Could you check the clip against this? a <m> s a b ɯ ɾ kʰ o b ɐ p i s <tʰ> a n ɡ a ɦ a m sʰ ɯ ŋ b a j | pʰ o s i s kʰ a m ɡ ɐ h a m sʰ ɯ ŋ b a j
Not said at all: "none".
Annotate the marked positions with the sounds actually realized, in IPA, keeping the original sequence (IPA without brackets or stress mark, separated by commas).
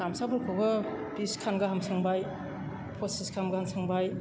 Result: m, kʰ